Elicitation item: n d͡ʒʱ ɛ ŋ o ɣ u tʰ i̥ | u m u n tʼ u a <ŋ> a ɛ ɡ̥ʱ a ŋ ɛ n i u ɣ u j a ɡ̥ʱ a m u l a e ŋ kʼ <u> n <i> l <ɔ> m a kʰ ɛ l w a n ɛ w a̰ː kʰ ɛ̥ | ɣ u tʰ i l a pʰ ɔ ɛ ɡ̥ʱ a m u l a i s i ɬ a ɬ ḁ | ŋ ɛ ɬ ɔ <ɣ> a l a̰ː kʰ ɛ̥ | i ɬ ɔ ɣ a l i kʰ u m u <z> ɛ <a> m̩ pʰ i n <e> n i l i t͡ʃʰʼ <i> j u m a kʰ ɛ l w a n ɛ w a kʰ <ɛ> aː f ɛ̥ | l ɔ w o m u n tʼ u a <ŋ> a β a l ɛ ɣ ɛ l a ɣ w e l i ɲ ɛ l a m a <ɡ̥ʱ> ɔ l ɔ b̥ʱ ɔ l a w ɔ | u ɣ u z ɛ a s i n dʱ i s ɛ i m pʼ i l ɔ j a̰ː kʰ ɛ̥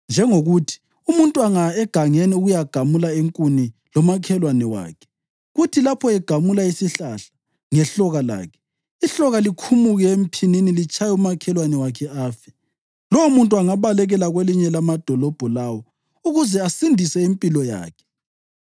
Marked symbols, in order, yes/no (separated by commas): yes, yes, yes, yes, yes, no, no, no, no, yes, yes, no